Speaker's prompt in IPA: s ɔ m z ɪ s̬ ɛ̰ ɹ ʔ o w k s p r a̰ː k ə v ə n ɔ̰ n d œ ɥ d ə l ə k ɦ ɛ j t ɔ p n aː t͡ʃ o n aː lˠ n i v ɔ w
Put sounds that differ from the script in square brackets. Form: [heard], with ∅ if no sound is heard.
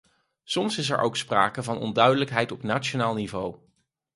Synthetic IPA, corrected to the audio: s ɔ m [s] ɪ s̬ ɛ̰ ɹ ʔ o w k s p r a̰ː k ə v [ɑ] n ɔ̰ n d œ ɥ d ə l ə k ɦ ɛ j t ɔ p n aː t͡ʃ o n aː lˠ n i v [o] w